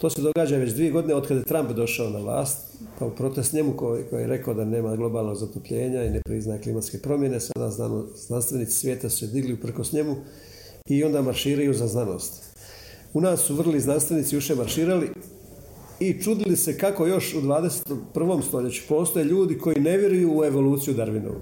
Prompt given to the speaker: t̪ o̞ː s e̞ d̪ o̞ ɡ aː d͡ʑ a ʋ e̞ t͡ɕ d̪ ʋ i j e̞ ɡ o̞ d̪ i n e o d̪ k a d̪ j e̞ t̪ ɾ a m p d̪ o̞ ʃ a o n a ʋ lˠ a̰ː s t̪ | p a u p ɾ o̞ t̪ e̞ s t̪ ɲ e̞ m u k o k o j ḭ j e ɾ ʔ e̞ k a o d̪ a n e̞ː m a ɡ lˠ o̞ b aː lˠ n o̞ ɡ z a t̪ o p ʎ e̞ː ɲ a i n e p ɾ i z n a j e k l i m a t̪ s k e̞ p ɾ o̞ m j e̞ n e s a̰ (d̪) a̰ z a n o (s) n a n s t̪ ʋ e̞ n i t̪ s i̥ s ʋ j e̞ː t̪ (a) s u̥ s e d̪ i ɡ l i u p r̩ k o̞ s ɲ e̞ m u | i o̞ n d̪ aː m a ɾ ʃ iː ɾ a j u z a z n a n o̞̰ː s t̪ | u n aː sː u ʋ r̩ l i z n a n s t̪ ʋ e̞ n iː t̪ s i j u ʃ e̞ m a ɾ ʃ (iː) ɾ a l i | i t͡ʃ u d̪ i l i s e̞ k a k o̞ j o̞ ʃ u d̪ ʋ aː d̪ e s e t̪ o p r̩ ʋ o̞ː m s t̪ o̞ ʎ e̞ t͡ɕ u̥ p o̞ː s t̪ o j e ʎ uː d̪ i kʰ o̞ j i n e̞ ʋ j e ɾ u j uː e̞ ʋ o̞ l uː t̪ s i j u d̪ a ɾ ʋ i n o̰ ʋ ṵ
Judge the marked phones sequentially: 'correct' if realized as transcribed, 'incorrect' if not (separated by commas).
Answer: correct, incorrect, correct, correct